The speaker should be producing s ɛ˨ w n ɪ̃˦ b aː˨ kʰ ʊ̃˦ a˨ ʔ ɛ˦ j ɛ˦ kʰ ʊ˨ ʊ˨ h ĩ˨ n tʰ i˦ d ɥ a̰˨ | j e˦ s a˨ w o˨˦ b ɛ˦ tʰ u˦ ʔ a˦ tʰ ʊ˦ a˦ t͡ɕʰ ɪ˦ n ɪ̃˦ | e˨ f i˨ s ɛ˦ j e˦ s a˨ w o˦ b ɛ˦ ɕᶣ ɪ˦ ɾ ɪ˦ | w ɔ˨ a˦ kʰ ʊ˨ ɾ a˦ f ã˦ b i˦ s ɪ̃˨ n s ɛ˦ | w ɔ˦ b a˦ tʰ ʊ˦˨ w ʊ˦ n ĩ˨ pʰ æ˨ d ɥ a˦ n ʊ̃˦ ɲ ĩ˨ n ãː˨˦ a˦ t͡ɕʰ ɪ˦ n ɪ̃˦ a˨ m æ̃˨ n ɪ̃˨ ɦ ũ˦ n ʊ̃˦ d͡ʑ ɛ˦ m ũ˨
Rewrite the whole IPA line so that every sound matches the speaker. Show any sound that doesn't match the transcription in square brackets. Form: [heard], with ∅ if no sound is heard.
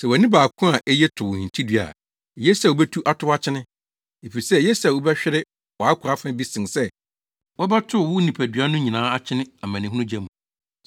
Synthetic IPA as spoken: s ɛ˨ w n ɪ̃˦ b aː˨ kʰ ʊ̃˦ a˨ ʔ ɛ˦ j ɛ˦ [tʰ] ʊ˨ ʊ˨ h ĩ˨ n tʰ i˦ d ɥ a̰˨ | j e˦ s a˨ w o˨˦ b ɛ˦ tʰ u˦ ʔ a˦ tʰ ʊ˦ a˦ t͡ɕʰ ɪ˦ n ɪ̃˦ | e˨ f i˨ s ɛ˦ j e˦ s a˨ w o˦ b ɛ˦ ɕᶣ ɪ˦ ɾ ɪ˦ | w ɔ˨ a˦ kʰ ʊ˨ ɾ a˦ f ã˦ b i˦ s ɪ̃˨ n s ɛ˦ | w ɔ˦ b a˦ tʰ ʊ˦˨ w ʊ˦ n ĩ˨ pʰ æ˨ d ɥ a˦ n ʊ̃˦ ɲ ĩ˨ n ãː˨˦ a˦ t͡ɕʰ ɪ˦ n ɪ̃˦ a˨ m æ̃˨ n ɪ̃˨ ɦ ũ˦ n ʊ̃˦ d͡ʑ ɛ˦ m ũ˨

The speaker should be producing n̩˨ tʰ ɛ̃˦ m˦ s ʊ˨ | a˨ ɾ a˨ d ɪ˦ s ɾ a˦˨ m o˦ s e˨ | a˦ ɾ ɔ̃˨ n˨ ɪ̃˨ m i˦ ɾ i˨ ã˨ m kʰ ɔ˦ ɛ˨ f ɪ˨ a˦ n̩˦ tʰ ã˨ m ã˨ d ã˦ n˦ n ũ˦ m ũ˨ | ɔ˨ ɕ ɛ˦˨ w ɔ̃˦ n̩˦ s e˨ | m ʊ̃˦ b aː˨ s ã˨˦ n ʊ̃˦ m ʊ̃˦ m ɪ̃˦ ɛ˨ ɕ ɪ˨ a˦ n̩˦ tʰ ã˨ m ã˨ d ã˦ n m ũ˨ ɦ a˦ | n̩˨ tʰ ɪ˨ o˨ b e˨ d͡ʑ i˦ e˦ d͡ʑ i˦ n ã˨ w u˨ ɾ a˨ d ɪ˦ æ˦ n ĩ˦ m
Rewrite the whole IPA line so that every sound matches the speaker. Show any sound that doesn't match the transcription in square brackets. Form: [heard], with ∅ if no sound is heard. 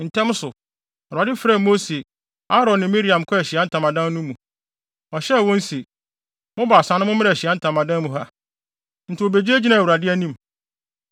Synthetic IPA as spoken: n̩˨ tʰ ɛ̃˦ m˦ s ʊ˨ | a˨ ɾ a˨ d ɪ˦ [f] ɾ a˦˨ m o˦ s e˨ | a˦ ɾ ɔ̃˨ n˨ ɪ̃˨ m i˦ ɾ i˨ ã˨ m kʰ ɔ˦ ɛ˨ [ɕ] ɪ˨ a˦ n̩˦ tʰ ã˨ m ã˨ d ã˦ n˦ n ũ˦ m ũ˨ | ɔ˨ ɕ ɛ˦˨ w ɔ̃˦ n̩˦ s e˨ | m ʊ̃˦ b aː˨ s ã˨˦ n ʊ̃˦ m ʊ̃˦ m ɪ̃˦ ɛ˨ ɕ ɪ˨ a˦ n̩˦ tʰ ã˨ m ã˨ d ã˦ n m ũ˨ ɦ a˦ | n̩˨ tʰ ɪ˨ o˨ b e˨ d͡ʑ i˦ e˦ d͡ʑ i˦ n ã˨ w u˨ ɾ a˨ d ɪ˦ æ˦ n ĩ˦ m

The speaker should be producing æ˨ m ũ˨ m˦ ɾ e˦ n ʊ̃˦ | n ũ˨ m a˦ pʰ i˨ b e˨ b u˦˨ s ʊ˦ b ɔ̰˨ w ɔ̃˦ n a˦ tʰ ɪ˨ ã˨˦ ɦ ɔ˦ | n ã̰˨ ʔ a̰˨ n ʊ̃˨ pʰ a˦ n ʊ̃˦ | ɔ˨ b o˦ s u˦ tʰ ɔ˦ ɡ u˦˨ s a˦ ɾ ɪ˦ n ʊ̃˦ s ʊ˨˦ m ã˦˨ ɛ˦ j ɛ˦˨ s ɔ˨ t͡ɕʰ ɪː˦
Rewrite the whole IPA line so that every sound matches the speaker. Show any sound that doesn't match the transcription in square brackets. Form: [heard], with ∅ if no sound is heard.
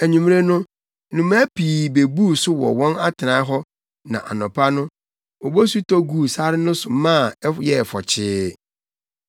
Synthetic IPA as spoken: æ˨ [ɲ] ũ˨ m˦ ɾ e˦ n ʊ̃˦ | n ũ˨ m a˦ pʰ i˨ b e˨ b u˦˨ s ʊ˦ [w] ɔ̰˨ w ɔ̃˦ n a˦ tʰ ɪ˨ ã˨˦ ɦ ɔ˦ | n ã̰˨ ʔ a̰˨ n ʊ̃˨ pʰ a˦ n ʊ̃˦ | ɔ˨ b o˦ s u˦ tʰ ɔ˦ ɡ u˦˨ s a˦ ɾ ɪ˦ n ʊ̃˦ s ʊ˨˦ m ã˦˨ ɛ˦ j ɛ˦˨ [f] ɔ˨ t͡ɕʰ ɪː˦

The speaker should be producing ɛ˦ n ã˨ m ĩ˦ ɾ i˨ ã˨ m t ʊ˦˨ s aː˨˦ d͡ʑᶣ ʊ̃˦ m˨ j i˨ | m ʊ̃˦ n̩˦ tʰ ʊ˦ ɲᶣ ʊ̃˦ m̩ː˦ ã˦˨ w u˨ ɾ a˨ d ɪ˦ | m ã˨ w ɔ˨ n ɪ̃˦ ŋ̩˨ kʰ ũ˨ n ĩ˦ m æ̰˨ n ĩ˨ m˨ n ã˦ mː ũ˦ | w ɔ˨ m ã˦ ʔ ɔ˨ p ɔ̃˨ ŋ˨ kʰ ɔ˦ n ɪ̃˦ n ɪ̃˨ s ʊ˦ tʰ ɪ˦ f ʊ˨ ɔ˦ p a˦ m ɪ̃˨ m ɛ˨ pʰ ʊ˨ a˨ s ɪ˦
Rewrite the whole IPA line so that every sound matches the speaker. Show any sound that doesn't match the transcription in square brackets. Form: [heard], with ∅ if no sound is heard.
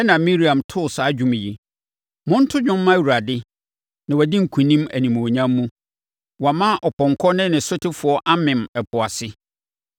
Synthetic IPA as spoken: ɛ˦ n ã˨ m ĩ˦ ɾ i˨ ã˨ m [tʰ] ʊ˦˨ s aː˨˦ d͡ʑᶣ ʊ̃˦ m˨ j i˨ | m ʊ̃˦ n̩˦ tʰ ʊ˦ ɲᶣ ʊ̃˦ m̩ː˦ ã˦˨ w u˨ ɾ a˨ d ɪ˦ | [n] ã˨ w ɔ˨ [d] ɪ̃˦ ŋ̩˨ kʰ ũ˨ n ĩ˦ m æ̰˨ n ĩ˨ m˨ [ɲ] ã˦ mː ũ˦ | w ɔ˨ m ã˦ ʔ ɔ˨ p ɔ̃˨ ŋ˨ kʰ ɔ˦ n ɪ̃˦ n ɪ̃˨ s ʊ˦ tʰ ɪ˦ f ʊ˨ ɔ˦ [ʔ] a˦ m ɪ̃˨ m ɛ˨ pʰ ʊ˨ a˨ s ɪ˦

